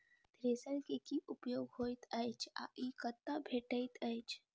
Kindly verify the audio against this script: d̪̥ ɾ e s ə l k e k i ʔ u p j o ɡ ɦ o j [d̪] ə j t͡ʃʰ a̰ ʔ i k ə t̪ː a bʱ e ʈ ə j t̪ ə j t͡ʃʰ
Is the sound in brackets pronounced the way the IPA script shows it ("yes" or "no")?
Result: no